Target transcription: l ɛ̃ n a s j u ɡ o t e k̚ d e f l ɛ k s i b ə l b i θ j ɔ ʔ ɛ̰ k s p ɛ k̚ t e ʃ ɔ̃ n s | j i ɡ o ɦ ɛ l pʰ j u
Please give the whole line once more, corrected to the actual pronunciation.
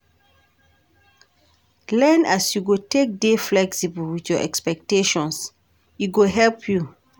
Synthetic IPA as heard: l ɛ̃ n a s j u ɡ o t e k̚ d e f l ɛ k s i b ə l w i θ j ɔ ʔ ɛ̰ k s p ɛ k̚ t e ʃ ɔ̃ n s | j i ɡ o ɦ ɛ l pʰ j u